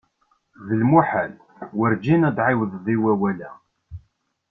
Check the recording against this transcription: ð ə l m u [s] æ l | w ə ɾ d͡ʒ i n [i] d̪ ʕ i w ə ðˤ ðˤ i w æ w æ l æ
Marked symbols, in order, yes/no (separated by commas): no, no